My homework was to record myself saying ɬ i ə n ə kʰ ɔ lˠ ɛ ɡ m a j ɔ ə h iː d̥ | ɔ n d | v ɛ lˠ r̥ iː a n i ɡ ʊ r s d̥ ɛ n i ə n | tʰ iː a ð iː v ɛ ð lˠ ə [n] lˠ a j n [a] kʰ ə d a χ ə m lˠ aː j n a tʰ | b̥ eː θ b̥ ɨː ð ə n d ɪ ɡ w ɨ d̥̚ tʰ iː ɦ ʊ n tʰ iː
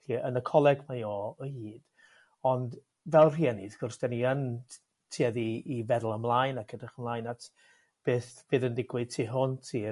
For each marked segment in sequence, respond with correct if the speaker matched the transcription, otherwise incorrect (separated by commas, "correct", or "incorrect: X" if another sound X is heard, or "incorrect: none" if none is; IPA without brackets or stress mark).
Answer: incorrect: m, correct